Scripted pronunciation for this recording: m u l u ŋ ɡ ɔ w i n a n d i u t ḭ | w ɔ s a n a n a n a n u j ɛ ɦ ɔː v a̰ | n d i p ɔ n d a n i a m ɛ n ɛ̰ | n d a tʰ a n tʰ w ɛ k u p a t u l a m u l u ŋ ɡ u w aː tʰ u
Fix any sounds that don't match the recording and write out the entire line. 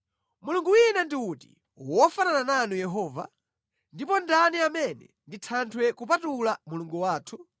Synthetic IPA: m u l u ŋ ɡ u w i n a n d i u t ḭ | w ɔ f a n a n a n a n u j ɛ ɦ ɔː v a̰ | n d i p ɔ n d a n i a m ɛ n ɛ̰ | n d i tʰ a n tʰ w ɛ k u p a t u l a m u l u ŋ ɡ u w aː tʰ u